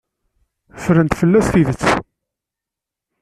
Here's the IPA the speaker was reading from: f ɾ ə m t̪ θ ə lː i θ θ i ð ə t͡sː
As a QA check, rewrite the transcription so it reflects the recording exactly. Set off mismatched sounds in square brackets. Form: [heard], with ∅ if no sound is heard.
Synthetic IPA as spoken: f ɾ ə [n] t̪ [f] ə lː [æ] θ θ i ð ə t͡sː